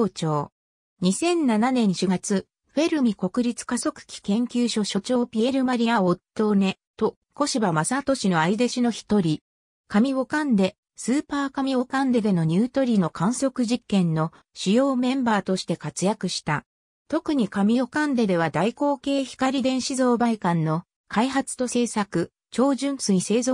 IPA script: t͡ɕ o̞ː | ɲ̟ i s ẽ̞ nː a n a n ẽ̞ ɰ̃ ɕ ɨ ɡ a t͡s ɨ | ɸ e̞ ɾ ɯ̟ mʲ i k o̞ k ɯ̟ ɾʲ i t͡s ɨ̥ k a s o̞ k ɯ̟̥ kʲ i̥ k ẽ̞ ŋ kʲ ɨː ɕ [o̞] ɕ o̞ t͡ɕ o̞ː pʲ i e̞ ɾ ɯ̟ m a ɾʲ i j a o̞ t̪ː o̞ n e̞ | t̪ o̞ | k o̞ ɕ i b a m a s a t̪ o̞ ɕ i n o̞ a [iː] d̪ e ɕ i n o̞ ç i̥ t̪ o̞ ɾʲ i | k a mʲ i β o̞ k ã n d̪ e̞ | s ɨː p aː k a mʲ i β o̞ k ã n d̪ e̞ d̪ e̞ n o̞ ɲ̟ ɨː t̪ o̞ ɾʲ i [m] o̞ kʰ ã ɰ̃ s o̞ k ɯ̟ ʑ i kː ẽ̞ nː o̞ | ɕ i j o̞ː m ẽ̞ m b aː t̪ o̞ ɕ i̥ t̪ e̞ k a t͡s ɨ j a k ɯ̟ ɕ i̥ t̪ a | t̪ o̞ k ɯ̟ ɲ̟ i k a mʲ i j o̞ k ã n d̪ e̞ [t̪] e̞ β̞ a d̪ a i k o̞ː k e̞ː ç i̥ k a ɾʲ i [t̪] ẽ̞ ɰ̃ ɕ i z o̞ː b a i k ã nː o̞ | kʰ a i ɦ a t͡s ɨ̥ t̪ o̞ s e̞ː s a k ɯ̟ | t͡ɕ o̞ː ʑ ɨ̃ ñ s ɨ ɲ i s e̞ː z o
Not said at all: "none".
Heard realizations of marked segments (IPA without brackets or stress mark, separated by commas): o̞, i, n, d̪, d̪